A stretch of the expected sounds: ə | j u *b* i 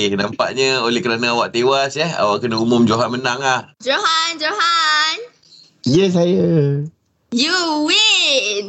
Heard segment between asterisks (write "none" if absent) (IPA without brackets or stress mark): w